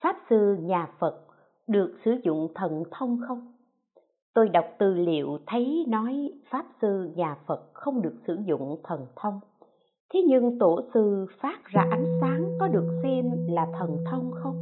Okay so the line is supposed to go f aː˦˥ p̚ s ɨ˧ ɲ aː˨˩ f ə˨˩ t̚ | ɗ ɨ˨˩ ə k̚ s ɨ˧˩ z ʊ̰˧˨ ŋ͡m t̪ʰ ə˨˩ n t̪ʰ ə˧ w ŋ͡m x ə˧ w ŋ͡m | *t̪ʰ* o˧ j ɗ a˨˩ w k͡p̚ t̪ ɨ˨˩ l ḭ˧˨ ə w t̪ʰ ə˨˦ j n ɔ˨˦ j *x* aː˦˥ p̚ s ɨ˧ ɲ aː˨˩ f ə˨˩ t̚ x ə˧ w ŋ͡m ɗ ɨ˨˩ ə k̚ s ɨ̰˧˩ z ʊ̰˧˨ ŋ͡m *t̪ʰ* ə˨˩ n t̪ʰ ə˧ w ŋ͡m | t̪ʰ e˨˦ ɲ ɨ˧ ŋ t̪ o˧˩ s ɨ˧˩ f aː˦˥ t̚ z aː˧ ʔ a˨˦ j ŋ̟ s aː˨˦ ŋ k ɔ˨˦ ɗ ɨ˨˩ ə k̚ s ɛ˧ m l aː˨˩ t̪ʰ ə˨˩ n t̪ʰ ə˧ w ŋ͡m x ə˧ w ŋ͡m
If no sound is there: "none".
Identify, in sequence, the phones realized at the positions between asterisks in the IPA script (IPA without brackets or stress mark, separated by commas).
t̪, f, t̪ʰ